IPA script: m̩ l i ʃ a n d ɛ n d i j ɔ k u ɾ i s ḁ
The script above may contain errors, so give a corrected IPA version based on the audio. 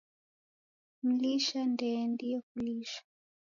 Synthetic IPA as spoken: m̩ l i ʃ a n d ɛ n d i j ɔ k u l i ʃ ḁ